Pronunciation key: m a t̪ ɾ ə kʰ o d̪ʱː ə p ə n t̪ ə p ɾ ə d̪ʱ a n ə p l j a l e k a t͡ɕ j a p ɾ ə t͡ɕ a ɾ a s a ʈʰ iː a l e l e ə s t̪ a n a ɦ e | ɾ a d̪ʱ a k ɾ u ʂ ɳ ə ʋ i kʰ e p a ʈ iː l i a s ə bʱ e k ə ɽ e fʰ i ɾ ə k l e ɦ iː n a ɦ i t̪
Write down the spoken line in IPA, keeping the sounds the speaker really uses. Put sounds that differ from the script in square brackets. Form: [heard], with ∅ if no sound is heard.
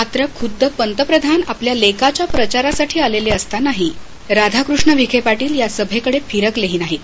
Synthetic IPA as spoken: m a t̪ ɾ ə kʰ [u] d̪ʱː ə p ə n t̪ ə p ɾ ə d̪ʱ a n [a] p l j a l e k a t͡ɕ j a p ɾ ə t͡ɕ a ɾ a s a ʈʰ iː a l e l e ə s t̪ a n a ɦ [i] | ɾ a d̪ʱ a k ɾ u ʂ ɳ ə ʋ i kʰ e p a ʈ iː l [j] a s ə bʱ e k ə ɽ e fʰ i ɾ ə k l e ɦ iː n a ɦ i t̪